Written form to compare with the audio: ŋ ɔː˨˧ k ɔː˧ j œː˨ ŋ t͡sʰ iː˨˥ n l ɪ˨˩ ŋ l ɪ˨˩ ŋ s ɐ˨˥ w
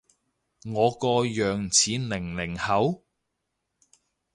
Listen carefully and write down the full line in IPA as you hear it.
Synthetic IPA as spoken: ŋ ɔː˨˧ k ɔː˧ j œː˨ ŋ t͡sʰ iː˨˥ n l ɪ˨˩ ŋ l ɪ˨˩ ŋ h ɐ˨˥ w

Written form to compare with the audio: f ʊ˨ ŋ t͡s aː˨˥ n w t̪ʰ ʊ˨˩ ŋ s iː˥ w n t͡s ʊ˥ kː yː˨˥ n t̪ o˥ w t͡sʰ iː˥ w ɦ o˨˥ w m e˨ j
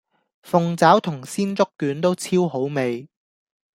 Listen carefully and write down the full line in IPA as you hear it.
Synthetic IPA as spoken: f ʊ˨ ŋ t͡s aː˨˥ w t̪ʰ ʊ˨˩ ŋ s iː˥ n t͡s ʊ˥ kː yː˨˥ n t̪ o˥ w t͡sʰ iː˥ w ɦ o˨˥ w m e˨ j

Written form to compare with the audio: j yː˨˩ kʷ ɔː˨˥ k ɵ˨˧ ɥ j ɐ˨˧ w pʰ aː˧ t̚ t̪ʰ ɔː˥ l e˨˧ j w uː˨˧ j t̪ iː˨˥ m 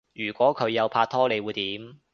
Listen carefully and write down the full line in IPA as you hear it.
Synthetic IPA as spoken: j yː˨˩ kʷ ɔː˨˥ kʰ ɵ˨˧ ɥ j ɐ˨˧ w pʰ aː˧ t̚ t̪ʰ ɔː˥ l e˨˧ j w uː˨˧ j t̪ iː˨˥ m

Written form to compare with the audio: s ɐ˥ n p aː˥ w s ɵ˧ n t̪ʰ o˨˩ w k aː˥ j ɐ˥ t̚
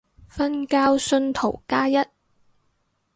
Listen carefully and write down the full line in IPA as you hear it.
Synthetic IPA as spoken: f ɐ˥ n k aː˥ w s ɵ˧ n t̪ʰ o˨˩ w k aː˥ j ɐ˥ t̚

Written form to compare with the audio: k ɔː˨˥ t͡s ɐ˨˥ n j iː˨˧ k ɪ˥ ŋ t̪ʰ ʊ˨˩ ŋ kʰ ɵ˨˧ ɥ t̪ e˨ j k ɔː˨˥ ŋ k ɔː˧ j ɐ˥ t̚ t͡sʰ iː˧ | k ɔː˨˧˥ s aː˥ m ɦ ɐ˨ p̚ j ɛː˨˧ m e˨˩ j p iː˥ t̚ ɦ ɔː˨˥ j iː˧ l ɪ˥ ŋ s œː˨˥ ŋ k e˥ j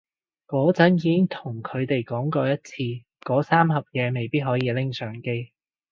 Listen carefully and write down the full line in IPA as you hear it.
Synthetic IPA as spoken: k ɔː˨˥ t͡s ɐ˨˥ n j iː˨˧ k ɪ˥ ŋ t̪ʰ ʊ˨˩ ŋ kʰ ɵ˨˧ ɥ t̪ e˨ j k ɔː˨˥ ŋ k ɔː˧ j ɐ˥ t̚ t͡sʰ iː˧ | k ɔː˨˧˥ s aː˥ m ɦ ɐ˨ p̚ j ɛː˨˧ m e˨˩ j p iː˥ t̚ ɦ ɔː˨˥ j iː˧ l ɪ˥ ŋ s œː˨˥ ŋ k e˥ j

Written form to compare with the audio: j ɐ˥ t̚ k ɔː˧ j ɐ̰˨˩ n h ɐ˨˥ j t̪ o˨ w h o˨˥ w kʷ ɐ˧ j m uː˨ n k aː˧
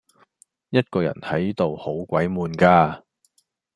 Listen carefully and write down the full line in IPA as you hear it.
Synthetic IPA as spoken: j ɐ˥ t̚ k ɔː˧ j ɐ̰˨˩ n h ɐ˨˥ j t̪ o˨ w h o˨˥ w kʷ ɐ˨˥ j m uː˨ n k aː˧

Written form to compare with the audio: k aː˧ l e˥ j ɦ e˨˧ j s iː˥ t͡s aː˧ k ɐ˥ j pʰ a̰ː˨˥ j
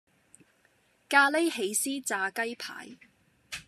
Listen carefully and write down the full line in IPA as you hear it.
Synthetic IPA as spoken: k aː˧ l e˥ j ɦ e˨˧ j s iː˥ t͡s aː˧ k ɐ˥ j pʰ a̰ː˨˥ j

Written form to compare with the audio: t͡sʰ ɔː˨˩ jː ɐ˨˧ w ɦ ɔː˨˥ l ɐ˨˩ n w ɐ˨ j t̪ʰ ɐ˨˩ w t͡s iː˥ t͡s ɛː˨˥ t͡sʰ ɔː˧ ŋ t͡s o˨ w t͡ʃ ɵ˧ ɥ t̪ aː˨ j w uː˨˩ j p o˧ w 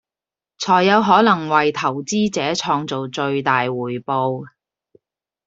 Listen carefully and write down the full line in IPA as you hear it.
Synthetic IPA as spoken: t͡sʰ ɔː˨˩ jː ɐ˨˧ w ɦ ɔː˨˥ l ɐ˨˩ ŋ w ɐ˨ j t̪ʰ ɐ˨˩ w t͡s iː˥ t͡s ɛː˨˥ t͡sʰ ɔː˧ ŋ t͡s o˨ w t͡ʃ ɵ˧ ɥ t̪ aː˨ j w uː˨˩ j p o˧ w

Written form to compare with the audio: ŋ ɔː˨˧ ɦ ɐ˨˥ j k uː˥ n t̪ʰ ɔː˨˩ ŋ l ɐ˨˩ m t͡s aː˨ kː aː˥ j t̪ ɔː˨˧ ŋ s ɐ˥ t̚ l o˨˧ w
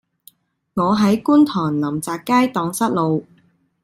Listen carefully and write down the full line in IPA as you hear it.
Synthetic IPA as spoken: ŋ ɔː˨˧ ɦ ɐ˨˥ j k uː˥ n t̪ʰ ɔː˨˩ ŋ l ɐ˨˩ m t͡s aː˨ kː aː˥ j t̪ ɔː˨˧ ŋ s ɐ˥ t̚ l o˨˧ w

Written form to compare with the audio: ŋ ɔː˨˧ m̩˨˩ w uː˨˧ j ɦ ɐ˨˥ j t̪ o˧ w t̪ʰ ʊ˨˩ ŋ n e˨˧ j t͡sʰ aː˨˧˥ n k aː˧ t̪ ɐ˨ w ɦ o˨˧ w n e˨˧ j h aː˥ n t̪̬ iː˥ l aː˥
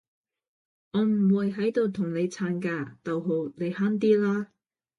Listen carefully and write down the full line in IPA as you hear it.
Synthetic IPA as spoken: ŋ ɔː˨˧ m̩˨˩ w uː˨˧ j ɦ ɐ˨˥ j t̪ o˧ w t̪ʰ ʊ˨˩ ŋ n e˨˧ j t͡sʰ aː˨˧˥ n k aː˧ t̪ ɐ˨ w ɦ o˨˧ w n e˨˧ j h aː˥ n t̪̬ iː˥ l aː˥

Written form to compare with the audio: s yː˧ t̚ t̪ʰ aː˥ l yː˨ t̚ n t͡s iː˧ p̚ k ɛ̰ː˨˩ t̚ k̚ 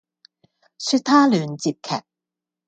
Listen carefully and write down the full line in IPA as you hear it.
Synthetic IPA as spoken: s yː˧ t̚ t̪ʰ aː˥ l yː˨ n t͡s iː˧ p̚ kʰ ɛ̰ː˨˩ k̚

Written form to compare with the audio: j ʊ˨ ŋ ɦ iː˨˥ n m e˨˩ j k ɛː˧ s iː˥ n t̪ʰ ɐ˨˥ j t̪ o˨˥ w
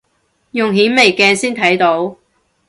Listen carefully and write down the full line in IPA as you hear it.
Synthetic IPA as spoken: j ʊ˨ ŋ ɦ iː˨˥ n m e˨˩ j k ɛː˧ s iː˥ n t̪ʰ ɐ˨˥ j t̪ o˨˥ w

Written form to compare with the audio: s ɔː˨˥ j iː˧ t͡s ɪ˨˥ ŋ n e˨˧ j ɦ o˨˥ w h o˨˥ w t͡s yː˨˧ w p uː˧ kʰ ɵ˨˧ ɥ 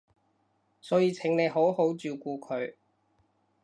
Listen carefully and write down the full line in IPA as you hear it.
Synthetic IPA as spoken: s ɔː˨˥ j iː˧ t͡sʰ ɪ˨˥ ŋ n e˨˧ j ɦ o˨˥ w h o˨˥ w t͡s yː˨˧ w k uː˧ kʰ ɵ˨˧ ɥ

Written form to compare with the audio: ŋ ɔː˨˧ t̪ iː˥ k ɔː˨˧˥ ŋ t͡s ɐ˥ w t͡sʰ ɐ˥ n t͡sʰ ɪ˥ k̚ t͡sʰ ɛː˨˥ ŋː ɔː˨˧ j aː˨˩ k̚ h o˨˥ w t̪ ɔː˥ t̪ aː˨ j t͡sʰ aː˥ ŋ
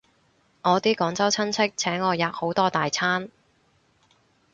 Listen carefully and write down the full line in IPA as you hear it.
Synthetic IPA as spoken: ŋ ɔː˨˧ t̪ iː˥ k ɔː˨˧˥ ŋ t͡s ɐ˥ w t͡sʰ ɐ˥ n t͡sʰ ɪ˥ k̚ t͡sʰ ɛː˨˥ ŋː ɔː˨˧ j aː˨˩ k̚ h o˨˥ w t̪ ɔː˥ t̪ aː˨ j t͡sʰ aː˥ n

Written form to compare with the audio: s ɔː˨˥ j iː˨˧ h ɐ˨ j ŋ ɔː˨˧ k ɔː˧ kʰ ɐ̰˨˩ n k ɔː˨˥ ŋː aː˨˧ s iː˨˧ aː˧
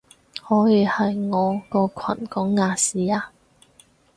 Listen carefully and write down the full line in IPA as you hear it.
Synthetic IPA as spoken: h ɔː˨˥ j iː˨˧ h ɐ˨ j ŋ ɔː˨˧ k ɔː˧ kʰ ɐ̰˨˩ n k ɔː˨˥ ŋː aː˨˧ s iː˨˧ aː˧

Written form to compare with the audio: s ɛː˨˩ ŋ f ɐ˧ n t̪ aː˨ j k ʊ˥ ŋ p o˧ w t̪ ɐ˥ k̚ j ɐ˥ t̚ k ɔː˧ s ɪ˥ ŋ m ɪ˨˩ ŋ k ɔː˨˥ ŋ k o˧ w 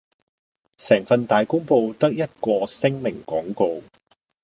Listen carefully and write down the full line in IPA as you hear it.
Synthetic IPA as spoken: s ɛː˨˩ ŋ f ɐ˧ n t̪ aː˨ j k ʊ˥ ŋ p o˧ w t̪ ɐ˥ k̚ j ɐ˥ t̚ k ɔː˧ s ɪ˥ ŋ m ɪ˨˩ ŋ k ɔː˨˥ ŋ k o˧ w

